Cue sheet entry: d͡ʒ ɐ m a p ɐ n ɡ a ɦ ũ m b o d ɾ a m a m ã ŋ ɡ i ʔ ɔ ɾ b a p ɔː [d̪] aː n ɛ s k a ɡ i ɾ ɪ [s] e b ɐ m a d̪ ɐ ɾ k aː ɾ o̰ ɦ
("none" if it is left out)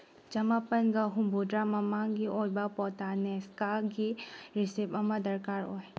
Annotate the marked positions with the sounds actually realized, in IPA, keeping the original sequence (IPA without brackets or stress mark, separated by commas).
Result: t̪, s